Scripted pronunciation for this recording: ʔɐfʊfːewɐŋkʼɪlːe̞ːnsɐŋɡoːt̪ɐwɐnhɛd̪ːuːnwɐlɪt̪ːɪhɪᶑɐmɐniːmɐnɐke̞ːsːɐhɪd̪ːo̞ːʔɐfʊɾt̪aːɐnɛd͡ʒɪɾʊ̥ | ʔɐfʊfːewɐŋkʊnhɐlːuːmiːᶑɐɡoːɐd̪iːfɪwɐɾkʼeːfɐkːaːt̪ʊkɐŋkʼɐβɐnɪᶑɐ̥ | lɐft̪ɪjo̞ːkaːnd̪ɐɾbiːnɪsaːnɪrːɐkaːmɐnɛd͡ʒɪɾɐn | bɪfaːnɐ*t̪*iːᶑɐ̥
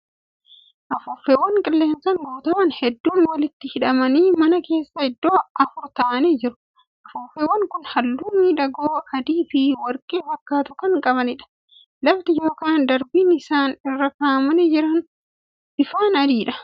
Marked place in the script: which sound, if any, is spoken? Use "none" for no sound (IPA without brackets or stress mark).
d̪